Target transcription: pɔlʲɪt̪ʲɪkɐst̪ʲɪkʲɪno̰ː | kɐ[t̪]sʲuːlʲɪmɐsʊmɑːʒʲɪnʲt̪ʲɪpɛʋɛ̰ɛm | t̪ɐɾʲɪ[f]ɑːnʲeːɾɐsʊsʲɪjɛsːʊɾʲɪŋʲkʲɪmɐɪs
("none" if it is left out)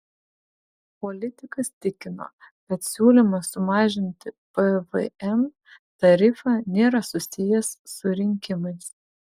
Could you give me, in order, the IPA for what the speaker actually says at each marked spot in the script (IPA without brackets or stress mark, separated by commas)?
t̪, f